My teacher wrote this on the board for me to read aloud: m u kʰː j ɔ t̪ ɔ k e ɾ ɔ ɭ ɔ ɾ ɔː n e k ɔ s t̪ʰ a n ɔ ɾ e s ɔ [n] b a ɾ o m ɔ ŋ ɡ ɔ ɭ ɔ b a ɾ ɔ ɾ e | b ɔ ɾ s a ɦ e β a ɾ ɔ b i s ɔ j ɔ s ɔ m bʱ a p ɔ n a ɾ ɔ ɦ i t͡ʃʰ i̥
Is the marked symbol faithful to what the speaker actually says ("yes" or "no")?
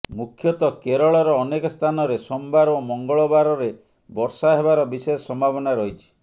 no